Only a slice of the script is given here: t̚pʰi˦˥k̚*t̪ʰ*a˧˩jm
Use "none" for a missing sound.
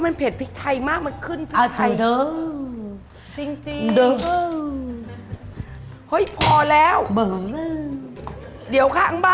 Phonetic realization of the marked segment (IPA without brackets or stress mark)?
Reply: t̪ʰ